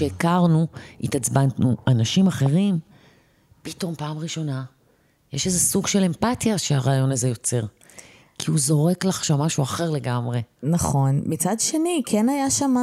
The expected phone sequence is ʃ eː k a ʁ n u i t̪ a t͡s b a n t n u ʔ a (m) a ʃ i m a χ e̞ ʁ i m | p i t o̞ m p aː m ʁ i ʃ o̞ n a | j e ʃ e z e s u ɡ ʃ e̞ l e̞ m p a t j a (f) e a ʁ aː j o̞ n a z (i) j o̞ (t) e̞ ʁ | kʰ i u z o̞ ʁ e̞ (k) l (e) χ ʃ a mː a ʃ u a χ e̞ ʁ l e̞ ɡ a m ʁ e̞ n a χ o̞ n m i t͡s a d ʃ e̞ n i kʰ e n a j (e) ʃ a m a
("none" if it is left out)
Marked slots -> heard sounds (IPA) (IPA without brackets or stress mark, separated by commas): n, ʃ, e, t͡s, k, a, a